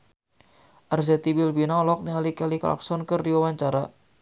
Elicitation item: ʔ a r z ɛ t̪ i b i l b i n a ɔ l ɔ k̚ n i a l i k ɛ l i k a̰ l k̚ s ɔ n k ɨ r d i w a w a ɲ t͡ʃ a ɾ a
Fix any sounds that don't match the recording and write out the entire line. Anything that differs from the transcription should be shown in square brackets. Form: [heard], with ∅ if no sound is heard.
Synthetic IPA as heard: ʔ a r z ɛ t̪ i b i l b i n a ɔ l ɔ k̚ n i a l i k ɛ l i k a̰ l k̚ s ɔ n k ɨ r d i w a w a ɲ t͡ʃ a ɾ a